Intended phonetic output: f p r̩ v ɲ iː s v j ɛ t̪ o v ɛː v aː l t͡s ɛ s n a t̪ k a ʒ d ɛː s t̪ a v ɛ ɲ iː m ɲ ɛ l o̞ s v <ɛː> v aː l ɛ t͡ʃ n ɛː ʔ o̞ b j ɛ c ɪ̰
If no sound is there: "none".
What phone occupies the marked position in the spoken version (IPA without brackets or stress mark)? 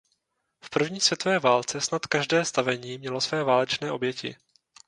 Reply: ɛː